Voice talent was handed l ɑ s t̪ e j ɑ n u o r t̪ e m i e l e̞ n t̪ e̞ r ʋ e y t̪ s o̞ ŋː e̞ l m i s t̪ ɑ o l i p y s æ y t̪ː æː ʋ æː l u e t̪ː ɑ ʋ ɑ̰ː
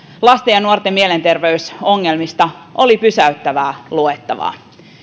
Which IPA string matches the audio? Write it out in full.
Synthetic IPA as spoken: l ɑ s t̪ e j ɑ n u o r t̪ e m i e l e̞ n t̪ e̞ r ʋ e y s o̞ ŋː e̞ l m i s t̪ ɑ o l i p y s æ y t̪ː æ ʋ æː l u e t̪ː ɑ ʋ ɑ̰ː